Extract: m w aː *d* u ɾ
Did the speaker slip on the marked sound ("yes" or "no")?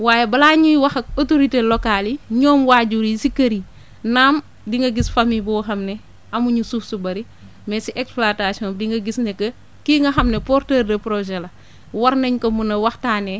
yes